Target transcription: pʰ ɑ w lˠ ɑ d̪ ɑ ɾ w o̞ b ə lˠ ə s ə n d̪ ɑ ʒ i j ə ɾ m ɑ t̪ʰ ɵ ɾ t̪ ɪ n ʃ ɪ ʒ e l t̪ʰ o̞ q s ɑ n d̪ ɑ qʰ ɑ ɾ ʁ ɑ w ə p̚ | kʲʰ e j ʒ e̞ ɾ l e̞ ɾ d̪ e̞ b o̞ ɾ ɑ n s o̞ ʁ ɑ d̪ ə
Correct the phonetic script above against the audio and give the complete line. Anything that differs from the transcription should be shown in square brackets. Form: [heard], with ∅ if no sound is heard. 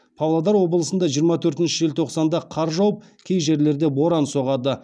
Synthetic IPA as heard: pʰ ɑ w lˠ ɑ d̪ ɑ ɾ w o̞ b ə lˠ ə s ə n d̪ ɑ ʒ i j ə ɾ m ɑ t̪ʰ ɵ ɾ t̪ ɪ n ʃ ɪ ʒ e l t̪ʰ o̞ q s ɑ n d̪ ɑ qʰ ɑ ɾ [ʒ] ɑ w ə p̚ | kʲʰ e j ʒ e̞ ɾ l e̞ ɾ d̪ e̞ b o̞ ɾ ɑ n s o̞ ʁ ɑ d̪ ə